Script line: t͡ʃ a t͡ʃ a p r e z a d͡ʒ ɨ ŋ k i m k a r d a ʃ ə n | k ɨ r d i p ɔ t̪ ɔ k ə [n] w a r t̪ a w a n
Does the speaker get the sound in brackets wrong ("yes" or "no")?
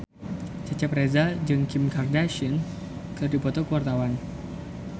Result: yes